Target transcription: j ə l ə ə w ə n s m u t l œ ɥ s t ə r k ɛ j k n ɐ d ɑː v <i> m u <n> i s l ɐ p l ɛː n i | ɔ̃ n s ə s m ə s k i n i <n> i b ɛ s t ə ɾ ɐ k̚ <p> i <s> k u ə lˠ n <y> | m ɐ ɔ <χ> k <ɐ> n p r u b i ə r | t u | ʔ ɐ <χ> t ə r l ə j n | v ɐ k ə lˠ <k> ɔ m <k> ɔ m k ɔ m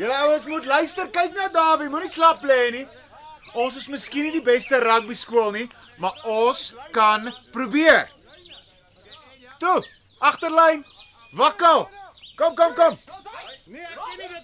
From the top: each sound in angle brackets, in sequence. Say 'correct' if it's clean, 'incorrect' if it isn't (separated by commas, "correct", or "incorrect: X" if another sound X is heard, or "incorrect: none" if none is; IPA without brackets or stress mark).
correct, correct, incorrect: d, incorrect: b, correct, incorrect: i, incorrect: s, correct, correct, correct, correct